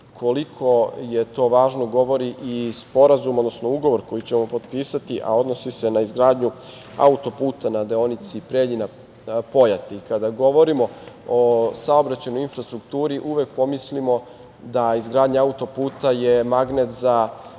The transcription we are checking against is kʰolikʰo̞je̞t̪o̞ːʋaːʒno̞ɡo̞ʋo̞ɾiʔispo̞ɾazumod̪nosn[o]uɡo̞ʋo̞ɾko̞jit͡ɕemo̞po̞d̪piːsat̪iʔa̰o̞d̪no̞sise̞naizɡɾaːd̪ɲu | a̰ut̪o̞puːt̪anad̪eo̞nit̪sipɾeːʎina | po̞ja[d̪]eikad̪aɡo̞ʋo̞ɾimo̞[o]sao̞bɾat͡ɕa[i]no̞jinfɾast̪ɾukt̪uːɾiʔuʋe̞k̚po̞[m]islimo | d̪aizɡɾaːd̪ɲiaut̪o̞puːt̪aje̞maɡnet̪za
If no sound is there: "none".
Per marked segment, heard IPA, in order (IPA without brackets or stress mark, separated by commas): o, t̪, o, j, m